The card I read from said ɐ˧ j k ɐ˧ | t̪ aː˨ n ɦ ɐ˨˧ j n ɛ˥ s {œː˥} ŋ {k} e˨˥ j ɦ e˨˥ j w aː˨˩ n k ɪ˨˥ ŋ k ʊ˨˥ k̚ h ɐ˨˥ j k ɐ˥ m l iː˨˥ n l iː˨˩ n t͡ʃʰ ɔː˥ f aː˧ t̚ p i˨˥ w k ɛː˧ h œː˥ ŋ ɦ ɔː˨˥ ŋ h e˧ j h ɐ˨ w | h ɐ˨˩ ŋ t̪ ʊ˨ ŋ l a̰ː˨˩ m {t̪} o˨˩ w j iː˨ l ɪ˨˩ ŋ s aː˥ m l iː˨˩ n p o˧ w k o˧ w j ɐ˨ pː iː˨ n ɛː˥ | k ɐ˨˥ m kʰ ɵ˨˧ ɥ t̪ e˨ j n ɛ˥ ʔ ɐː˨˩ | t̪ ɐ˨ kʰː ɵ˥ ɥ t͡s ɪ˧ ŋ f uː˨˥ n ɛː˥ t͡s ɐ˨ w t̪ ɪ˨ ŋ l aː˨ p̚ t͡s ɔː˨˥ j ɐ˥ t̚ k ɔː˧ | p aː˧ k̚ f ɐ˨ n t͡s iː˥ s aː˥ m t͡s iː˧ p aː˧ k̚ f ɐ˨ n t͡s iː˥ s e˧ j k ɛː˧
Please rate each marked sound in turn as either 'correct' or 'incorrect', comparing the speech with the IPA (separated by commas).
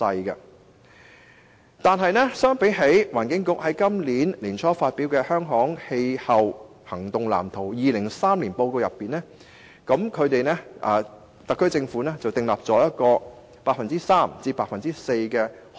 correct, incorrect, incorrect